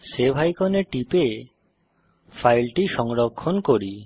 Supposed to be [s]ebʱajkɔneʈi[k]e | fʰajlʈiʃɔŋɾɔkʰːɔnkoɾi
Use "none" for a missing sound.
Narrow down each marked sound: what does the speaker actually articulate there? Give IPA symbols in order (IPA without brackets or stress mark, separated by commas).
s, p